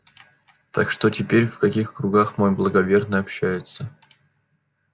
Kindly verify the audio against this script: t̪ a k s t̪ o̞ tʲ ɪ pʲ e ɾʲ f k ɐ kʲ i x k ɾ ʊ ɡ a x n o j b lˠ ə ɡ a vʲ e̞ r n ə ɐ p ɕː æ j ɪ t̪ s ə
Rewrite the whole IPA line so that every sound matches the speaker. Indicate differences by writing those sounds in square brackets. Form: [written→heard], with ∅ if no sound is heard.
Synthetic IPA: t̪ a k [s→ʂ] t̪ o̞ tʲ ɪ pʲ e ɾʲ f k ɐ kʲ i x k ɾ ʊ ɡ a x [n→m] o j b lˠ ə ɡ [a→ɐ] vʲ e̞ r n ə ɐ p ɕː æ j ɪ t̪ s ə